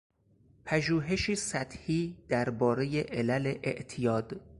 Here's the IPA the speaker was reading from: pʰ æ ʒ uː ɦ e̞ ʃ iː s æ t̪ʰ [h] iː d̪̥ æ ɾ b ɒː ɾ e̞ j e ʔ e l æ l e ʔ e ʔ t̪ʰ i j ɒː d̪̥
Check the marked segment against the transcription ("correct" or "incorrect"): correct